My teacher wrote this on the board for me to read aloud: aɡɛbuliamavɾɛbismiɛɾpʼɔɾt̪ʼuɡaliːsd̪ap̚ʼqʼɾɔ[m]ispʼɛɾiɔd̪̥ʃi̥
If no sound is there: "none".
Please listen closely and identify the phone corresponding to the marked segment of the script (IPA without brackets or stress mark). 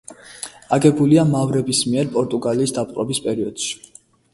b